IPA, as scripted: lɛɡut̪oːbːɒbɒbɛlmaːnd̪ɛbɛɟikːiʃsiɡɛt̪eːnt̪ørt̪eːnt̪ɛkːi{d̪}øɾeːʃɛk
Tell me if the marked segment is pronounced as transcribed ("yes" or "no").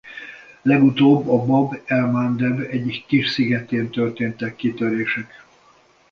no